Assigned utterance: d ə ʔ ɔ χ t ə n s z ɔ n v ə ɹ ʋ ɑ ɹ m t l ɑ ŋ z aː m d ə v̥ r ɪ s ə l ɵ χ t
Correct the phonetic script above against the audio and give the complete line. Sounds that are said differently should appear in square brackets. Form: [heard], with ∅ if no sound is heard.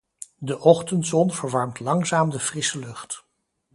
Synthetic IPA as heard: d ə ʔ ɔ χ t ə n [t] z ɔ n v ə ɹ ʋ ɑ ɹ m t l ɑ ŋ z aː m d ə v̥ r ɪ s ə l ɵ χ t